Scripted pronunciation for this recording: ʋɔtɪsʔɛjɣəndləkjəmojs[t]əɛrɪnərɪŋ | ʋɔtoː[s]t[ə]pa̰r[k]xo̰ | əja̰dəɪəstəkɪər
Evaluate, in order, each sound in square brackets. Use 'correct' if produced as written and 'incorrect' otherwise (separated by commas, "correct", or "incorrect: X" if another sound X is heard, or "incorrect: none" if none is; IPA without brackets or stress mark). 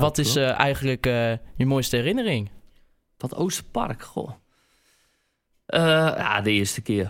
correct, correct, correct, correct